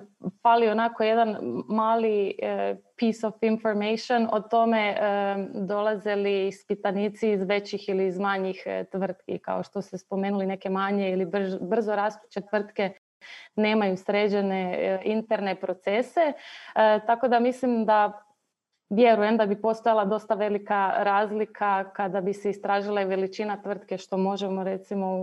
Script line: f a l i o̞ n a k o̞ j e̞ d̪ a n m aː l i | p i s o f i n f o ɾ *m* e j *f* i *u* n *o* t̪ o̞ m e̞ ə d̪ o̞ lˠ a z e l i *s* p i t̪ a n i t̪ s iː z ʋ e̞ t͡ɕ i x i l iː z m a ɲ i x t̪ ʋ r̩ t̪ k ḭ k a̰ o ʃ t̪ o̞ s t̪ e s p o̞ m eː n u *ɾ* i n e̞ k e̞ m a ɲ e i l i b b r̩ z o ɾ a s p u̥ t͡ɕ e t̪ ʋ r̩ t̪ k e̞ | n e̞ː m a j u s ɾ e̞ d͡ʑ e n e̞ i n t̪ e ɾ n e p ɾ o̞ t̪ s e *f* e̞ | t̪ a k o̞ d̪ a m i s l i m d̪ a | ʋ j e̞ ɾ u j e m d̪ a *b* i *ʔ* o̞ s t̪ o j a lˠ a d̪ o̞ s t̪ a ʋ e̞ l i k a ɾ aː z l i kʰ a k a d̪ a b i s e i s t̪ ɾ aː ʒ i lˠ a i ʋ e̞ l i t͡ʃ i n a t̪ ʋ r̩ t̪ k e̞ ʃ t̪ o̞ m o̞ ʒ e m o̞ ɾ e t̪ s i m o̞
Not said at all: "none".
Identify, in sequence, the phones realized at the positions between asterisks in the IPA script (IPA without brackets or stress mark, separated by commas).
m, ʃ, o, o, s, l, s, b, p